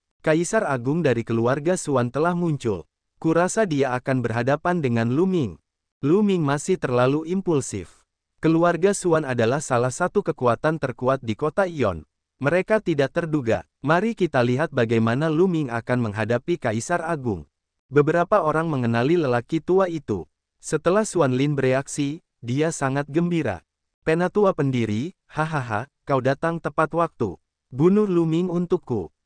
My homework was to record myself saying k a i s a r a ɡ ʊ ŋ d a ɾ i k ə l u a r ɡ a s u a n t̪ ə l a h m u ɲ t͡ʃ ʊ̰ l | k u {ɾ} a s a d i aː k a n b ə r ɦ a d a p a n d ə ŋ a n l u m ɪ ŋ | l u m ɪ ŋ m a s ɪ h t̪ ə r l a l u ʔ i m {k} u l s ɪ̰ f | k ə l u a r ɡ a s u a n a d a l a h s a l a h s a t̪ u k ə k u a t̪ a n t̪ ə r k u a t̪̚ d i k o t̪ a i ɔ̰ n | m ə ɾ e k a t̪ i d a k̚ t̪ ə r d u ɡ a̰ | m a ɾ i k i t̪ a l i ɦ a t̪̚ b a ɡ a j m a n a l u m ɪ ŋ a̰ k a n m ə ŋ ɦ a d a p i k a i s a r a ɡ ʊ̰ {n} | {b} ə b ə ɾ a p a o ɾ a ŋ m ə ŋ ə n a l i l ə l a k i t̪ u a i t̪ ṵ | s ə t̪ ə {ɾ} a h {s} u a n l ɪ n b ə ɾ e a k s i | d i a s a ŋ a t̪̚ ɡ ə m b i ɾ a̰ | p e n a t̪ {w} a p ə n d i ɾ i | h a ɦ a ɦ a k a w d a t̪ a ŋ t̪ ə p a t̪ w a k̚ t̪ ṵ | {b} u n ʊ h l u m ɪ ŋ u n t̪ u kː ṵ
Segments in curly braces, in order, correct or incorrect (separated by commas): correct, incorrect, incorrect, correct, incorrect, correct, incorrect, correct